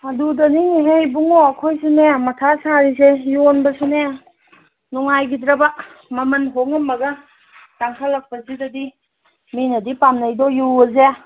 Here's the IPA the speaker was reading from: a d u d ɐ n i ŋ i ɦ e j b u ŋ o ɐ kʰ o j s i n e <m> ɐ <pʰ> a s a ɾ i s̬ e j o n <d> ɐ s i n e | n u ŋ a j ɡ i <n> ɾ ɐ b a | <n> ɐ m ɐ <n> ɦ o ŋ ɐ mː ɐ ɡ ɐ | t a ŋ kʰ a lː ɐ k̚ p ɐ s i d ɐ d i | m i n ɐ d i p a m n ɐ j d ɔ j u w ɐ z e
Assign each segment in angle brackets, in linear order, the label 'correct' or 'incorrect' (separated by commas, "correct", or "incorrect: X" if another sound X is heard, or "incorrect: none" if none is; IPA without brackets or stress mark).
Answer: correct, incorrect: tʰ, incorrect: b, incorrect: d, incorrect: m, correct